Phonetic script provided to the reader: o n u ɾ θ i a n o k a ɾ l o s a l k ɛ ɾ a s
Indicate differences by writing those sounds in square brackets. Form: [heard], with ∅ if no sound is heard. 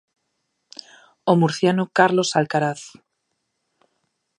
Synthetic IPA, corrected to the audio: o [m] u ɾ θ [j] a n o k a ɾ l o s a l k [a] ɾ a [θ]